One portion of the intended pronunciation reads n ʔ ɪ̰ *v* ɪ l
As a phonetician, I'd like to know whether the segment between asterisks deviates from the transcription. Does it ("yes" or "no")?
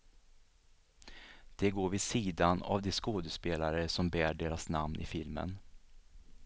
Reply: yes